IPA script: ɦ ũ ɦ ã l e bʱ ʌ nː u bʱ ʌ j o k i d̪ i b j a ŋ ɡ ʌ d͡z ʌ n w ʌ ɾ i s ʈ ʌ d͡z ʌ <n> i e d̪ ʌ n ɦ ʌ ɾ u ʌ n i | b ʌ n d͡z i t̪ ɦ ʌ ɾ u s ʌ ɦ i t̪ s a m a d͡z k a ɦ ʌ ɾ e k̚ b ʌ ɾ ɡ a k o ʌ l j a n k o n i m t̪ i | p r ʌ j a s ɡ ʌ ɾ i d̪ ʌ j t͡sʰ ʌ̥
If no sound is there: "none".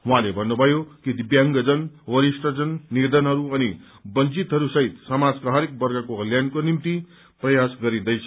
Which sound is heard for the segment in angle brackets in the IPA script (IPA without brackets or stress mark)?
nː